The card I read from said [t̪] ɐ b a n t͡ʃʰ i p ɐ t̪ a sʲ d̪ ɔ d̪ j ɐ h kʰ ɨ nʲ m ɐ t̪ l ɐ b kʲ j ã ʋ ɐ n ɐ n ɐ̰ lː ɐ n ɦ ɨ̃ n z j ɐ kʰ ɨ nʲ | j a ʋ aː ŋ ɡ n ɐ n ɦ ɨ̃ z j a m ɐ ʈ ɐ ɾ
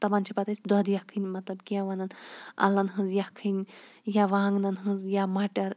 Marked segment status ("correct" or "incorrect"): correct